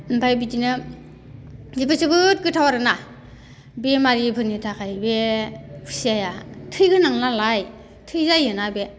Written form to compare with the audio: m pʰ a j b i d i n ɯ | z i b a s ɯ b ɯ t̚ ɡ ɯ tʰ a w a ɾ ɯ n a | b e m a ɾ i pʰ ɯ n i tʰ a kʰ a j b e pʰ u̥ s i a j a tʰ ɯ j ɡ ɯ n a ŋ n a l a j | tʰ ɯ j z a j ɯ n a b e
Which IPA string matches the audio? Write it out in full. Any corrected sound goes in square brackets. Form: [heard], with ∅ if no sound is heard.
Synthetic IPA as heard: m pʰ a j b i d i n ɯ | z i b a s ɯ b ɯ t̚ ɡ ɯ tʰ a w a ɾ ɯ n a | b e m a ɾ i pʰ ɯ n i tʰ a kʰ a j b e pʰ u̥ s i a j a tʰ ɯ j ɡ ɯ n a ŋ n a l a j | tʰ ɯ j z a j ɯ n a b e